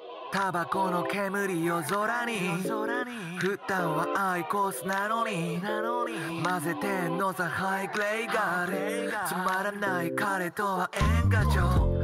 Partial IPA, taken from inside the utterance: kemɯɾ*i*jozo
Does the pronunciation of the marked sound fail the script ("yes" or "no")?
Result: no